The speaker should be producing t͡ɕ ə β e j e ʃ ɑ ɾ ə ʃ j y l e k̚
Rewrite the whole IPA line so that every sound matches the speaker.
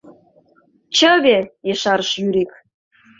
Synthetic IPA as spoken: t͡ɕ ə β e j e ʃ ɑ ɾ ə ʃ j y ɾ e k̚